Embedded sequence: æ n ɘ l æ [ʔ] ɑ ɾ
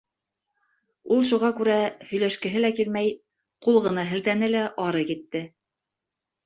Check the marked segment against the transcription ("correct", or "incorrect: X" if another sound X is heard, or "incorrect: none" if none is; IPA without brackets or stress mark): correct